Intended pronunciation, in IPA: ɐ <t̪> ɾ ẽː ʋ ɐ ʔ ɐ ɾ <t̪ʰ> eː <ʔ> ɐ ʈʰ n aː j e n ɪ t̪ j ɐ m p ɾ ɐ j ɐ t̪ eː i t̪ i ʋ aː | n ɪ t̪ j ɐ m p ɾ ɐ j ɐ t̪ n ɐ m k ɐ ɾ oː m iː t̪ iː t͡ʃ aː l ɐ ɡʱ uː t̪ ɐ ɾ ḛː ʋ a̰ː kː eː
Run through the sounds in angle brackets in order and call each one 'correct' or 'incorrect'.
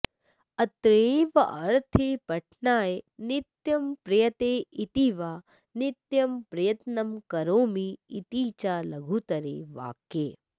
correct, correct, incorrect: p

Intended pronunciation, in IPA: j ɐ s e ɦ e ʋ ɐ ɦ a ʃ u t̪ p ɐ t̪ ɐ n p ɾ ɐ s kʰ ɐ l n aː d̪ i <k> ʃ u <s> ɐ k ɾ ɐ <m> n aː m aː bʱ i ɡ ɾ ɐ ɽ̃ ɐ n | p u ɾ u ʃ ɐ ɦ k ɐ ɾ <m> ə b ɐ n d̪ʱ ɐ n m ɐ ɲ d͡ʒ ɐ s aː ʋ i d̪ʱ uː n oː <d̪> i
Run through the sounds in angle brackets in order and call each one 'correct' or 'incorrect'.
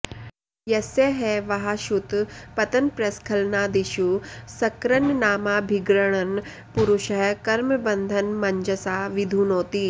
incorrect: none, correct, incorrect: n, correct, incorrect: t̪

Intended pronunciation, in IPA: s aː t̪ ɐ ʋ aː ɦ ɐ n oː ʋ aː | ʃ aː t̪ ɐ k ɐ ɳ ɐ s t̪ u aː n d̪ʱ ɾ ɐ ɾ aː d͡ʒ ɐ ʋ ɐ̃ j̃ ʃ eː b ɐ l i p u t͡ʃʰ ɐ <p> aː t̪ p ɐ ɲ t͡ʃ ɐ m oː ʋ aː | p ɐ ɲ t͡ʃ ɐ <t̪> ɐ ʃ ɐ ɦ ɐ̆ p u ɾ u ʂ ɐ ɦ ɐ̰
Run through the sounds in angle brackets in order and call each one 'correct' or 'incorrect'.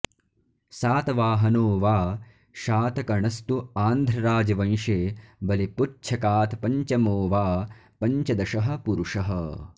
incorrect: k, incorrect: d̪

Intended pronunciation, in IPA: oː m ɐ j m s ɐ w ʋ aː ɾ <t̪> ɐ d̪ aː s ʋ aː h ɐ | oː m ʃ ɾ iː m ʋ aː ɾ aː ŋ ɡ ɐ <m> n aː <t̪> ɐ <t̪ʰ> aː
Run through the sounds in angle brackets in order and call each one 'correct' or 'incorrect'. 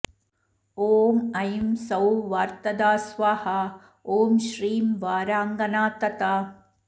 correct, incorrect: none, correct, incorrect: t̪

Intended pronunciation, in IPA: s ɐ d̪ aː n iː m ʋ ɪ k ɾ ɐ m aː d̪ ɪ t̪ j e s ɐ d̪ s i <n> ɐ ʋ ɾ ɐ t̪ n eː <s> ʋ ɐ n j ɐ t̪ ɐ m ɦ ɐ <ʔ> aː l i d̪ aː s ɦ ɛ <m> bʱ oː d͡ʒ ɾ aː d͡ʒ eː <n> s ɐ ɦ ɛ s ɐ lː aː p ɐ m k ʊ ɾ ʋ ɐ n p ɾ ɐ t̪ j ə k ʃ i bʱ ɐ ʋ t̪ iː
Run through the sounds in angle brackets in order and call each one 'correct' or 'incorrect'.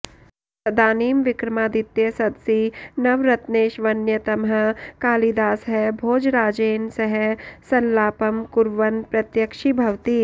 correct, incorrect: ʃ, incorrect: k, incorrect: none, correct

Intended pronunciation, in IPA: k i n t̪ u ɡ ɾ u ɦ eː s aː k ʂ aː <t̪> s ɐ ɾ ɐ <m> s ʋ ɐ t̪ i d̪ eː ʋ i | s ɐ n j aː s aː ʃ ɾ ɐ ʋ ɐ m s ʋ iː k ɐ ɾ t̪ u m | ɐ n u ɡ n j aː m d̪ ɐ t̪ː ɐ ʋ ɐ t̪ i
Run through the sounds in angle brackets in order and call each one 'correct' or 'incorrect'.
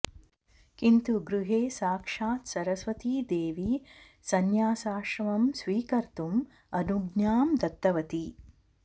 correct, incorrect: none

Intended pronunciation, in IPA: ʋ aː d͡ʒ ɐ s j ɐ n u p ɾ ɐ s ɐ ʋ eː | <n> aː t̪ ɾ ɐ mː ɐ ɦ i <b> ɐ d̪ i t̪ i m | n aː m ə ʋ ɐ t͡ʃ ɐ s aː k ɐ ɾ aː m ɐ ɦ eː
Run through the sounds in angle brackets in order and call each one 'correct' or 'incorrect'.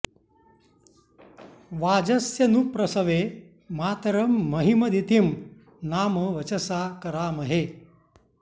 incorrect: m, incorrect: m

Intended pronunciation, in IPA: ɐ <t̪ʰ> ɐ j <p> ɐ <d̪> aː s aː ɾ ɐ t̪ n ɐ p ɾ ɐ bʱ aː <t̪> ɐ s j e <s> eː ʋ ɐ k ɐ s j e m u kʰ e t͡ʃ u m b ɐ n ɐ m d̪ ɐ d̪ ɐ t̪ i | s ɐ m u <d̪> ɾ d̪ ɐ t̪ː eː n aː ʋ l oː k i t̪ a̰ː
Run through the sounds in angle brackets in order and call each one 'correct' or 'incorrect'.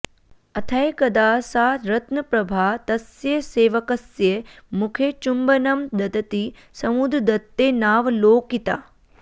correct, incorrect: k, correct, correct, correct, correct

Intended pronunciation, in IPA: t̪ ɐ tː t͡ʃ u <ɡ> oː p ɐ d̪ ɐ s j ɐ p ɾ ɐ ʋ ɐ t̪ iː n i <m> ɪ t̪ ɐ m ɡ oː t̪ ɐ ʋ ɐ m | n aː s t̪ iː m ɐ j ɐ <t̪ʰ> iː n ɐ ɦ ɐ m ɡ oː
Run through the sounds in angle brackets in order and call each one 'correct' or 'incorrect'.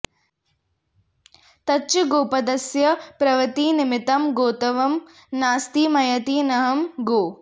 correct, correct, incorrect: t̪

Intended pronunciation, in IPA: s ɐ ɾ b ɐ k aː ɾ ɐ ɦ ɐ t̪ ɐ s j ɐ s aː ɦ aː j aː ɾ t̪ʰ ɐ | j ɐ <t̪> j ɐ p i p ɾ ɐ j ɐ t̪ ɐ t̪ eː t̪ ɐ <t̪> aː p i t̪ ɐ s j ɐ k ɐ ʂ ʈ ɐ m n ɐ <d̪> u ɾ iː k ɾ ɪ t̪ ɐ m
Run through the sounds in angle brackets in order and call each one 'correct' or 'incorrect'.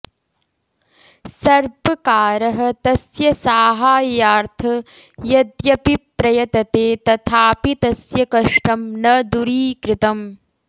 incorrect: d̪, incorrect: t̪ʰ, correct

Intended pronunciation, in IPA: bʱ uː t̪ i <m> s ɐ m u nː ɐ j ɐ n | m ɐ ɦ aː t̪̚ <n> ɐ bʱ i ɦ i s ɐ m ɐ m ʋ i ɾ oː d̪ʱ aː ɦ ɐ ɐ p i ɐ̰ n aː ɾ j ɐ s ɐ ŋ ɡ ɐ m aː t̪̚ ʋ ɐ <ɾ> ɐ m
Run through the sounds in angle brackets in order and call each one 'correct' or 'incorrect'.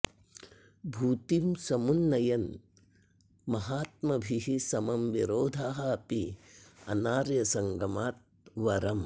correct, incorrect: m, correct

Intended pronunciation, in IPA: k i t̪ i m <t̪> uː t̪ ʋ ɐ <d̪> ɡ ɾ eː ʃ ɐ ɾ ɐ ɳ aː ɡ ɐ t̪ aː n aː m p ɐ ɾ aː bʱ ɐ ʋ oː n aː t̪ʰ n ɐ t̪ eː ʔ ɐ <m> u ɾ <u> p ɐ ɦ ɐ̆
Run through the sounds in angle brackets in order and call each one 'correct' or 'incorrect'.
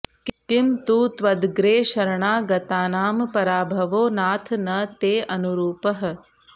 correct, correct, incorrect: n, incorrect: uː

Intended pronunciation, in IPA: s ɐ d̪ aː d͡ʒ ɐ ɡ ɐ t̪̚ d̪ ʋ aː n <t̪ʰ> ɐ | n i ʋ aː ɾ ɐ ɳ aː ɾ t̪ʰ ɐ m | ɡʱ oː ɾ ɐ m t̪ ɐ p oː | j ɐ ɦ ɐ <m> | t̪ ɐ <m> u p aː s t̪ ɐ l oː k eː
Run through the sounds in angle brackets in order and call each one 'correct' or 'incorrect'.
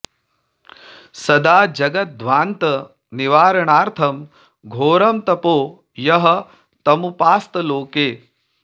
incorrect: t̪, incorrect: none, correct

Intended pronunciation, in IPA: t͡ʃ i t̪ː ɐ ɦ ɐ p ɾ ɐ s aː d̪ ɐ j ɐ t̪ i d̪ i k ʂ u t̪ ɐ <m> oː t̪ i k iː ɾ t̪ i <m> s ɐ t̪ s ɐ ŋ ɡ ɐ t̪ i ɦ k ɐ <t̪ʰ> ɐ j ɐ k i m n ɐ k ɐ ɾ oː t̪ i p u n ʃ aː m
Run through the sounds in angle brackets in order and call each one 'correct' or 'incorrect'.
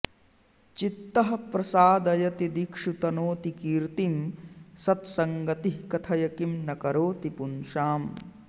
incorrect: n, correct, correct

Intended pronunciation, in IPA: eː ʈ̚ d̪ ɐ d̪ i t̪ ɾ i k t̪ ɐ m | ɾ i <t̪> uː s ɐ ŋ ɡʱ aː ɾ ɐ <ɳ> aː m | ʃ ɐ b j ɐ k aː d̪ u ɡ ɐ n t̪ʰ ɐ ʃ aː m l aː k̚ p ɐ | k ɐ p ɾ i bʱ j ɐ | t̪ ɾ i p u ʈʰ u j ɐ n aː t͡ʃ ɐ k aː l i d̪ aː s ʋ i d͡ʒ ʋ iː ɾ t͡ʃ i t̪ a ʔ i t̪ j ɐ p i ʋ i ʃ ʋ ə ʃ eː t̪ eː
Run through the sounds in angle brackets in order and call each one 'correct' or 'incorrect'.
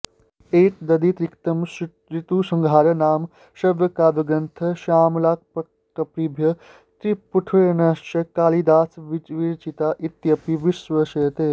correct, incorrect: n

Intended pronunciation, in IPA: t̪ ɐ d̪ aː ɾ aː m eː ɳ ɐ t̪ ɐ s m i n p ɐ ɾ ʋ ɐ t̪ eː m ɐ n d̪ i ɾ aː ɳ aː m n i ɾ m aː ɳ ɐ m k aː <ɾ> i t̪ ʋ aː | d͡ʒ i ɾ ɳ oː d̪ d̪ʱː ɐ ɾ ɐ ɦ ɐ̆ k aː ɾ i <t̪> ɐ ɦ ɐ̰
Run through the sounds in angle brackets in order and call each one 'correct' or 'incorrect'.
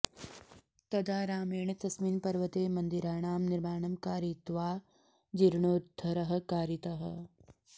correct, correct

